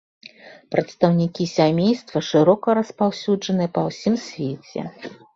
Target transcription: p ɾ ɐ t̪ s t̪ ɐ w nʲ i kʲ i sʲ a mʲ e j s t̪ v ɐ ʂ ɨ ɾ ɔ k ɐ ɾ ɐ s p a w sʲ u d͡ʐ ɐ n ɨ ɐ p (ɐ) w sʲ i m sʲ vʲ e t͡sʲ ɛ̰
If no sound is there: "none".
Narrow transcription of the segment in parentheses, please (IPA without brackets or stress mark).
ɐ